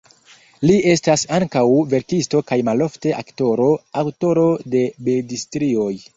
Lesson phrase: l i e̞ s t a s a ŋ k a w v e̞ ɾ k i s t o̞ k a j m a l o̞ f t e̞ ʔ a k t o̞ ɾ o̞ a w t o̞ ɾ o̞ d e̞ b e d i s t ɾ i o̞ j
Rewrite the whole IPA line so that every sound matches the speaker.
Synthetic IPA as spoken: l i e̞ s t a s a ŋ k a w v e̞ ɾ k i s t o̞ k a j m a l o̞ f t e̞ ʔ a k t o̞ ɾ o̞ a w t o̞ ɾ o̞ d e̞ b e d i s t ɾ i o̞ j